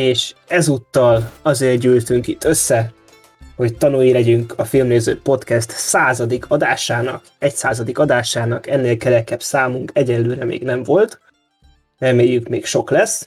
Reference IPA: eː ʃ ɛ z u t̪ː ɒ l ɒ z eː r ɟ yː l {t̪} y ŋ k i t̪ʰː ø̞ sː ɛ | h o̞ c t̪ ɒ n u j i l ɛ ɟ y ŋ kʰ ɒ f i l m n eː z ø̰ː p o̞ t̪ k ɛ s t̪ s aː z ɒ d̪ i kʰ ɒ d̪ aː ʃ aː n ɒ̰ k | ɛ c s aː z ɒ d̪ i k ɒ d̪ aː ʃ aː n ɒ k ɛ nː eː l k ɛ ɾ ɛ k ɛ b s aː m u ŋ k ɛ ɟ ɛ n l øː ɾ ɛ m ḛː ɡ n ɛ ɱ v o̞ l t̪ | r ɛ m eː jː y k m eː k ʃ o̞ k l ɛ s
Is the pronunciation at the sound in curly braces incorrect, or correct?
correct